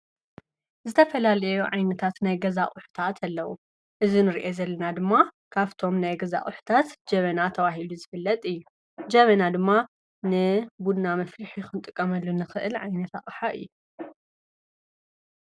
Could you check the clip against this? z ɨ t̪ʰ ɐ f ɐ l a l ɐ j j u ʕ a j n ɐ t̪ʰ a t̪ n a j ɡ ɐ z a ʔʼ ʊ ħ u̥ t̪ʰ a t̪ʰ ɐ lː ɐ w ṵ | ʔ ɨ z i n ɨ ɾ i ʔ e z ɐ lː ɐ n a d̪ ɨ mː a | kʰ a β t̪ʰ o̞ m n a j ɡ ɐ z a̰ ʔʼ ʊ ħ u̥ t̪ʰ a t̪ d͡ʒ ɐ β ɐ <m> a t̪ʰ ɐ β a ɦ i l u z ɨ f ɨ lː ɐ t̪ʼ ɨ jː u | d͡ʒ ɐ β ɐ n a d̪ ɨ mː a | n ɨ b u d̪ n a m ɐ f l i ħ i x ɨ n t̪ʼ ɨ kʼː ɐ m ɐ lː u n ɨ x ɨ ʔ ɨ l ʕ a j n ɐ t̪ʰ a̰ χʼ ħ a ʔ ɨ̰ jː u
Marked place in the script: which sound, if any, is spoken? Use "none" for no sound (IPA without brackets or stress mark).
n